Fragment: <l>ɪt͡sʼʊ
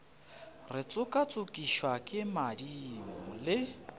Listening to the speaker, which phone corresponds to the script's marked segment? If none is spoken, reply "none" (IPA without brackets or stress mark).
r